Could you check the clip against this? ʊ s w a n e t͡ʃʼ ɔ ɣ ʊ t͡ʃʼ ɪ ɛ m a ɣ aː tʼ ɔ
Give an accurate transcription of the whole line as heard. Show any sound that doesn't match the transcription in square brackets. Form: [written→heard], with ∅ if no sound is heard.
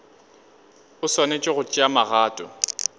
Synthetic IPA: ʊ s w a n e t͡ʃʼ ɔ ɣ ʊ t͡ʃʼ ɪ [ɛ→a] m a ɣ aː tʼ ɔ